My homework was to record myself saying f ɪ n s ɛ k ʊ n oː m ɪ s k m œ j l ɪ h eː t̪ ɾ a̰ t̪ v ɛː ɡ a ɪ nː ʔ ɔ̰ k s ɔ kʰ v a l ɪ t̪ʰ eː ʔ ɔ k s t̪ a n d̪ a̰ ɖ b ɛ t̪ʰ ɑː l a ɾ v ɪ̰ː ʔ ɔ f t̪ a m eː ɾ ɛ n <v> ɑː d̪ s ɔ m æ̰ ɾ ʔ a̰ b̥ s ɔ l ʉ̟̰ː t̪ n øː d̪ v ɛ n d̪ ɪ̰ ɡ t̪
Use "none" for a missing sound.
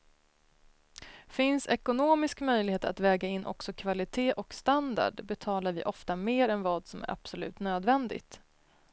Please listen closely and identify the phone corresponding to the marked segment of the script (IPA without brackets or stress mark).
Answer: v